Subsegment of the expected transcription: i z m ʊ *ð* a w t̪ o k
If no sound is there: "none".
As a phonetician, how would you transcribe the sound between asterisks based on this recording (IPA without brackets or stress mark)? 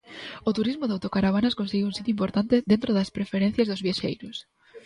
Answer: ð